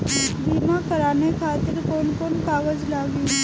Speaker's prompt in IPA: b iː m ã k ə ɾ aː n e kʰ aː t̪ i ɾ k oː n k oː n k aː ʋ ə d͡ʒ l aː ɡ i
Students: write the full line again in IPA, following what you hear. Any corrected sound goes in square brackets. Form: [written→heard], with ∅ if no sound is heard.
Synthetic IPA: b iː m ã k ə ɾ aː n e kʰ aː t̪ [i→ɪ] ɾ k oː n k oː n k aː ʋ ə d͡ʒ l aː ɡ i

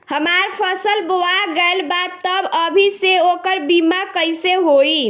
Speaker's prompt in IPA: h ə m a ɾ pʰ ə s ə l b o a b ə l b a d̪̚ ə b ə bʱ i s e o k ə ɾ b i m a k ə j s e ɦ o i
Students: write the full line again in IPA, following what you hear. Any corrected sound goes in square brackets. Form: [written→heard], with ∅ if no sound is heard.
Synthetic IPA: h ə m a ɾ pʰ ə s ə l b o a [b→ɡ] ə l b a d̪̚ ə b ə bʱ i s e o k ə ɾ b i m a k ə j s e ɦ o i

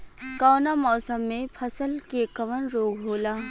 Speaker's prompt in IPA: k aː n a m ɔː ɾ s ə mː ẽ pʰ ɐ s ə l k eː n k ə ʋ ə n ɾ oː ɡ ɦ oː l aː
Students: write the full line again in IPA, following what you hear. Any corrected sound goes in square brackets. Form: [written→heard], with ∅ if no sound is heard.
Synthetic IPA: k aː n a m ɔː [ɾ→∅] s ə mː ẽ pʰ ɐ s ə l k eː [n→∅] k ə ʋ ə n ɾ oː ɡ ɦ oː l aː

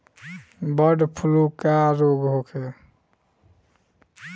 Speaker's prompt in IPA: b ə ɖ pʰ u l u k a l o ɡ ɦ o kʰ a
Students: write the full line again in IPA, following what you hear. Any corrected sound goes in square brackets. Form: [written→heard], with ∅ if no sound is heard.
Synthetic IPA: b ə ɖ pʰ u l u k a [l→ɾ] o ɡ ɦ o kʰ [a→e]

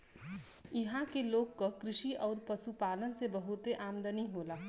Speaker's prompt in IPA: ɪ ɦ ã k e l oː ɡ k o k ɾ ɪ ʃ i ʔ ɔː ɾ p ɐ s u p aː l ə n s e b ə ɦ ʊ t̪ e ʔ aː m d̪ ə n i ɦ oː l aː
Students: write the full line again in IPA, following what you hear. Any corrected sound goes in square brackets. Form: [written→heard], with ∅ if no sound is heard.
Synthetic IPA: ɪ ɦ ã k e l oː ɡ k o k ɾ ɪ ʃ i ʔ ɔː ɾ p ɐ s u p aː l ə n s e b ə ɦ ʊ t̪ e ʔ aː m d̪ ə n i ɦ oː l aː

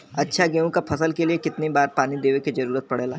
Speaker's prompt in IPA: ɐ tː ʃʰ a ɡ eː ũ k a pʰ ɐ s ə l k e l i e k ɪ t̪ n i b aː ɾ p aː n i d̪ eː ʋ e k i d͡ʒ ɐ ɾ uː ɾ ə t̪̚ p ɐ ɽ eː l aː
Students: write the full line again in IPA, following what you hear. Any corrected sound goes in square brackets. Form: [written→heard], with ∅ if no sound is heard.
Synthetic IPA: ɐ tː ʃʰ a ɡ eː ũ k a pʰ ɐ s ə l k e l i e k ɪ t̪ n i b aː ɾ p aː n i d̪ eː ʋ e k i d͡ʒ ɐ ɾ uː ɾ ə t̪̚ p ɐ ɽ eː l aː

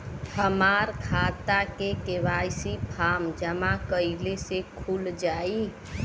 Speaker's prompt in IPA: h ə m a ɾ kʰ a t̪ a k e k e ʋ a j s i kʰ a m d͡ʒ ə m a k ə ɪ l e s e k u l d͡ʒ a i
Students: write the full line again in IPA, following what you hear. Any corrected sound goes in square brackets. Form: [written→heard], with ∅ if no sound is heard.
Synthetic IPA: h ə m a ɾ kʰ a t̪ a k e k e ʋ a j s i [kʰ→pʰ] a m d͡ʒ ə m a k ə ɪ l e s e [k→kʰ] u l d͡ʒ a i

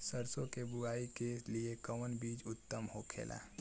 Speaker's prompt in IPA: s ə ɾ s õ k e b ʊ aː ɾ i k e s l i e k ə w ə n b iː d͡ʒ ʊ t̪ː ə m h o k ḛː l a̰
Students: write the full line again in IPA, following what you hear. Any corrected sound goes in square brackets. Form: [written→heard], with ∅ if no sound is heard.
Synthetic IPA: s ə ɾ s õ k e b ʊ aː [ɾ→∅] i k e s l i e k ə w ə n b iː d͡ʒ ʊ t̪ː ə m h o [k→kʰ] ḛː l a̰

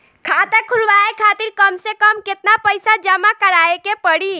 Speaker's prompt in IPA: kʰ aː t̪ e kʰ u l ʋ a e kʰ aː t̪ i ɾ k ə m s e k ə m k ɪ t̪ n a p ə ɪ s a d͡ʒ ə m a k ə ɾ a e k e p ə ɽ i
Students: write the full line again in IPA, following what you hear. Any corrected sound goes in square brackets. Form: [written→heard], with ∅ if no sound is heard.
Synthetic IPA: kʰ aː t̪ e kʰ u l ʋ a e kʰ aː t̪ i ɾ k ə m s e k ə m k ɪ t̪ n a p ə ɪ s a d͡ʒ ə m a k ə ɾ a e k e p ə ɽ i

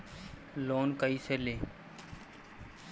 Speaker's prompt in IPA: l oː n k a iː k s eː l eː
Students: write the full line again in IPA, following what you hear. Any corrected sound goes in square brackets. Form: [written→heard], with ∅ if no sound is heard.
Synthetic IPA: l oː n k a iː [k→∅] s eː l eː

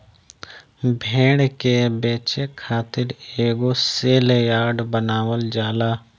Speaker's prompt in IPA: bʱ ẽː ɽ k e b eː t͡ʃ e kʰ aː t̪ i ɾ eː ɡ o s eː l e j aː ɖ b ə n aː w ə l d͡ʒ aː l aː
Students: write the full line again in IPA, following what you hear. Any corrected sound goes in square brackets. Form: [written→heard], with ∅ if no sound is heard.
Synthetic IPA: bʱ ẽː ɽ k e b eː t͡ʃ e kʰ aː t̪ [i→ɪ] ɾ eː ɡ o s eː l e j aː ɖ b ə n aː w ə l d͡ʒ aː l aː

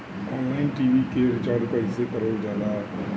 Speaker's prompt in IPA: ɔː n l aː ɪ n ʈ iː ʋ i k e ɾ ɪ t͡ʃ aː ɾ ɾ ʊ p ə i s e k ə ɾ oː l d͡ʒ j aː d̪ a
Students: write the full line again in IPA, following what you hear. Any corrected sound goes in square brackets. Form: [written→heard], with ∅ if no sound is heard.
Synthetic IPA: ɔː n l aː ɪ n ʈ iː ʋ i k e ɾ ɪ t͡ʃ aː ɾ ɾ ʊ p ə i s e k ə ɾ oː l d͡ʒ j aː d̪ a

